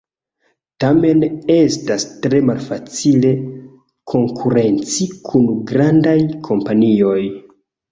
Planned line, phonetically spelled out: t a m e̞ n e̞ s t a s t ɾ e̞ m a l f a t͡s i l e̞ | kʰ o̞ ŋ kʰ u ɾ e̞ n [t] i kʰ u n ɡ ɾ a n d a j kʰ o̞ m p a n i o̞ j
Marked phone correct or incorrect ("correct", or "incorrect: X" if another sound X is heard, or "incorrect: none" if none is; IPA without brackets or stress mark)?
incorrect: t͡s